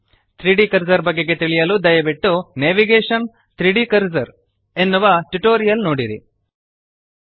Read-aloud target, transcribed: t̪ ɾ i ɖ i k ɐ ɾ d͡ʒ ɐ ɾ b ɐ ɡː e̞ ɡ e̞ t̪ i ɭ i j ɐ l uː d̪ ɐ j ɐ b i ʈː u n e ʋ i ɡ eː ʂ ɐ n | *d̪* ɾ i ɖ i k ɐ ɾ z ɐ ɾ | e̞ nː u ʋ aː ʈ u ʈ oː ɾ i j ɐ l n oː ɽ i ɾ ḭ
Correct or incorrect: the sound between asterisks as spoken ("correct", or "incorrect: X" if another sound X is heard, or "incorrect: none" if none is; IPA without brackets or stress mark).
incorrect: t̪